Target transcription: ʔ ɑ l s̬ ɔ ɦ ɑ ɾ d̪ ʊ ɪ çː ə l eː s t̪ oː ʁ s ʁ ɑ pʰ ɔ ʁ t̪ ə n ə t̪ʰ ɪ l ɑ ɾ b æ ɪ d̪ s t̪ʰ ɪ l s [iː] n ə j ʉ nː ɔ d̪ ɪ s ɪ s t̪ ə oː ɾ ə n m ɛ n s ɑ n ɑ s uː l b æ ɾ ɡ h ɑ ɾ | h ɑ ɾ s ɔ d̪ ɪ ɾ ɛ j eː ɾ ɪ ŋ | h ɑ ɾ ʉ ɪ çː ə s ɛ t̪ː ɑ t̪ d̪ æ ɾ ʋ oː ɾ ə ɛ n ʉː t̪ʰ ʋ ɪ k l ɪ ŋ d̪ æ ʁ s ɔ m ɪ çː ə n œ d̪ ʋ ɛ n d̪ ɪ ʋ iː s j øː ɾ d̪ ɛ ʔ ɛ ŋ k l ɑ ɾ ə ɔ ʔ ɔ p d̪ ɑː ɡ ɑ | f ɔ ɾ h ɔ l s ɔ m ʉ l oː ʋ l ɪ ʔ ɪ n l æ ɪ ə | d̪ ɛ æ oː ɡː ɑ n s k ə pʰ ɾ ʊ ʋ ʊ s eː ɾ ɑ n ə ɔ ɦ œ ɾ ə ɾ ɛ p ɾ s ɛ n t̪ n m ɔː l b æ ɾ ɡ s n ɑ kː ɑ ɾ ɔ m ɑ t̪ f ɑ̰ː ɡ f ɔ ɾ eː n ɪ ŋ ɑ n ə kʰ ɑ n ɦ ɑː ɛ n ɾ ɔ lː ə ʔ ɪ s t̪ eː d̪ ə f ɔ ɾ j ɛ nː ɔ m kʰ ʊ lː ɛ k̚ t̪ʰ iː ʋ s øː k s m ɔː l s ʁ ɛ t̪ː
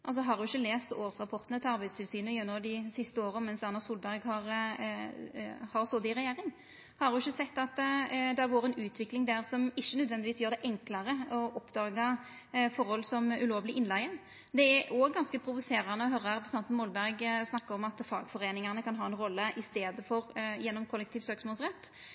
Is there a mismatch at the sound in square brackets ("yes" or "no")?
yes